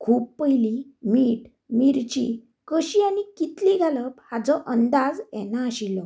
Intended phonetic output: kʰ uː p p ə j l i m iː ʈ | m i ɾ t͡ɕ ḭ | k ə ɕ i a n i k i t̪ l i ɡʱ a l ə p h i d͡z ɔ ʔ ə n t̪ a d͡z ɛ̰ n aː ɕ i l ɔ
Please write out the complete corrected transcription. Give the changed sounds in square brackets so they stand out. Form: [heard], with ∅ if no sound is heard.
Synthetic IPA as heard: kʰ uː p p ə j l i m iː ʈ | m i ɾ t͡ɕ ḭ | k ə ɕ i a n i k i t̪ l i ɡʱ a l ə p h [a] d͡z ɔ ʔ ə n [d̪] a d͡z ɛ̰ n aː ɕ i l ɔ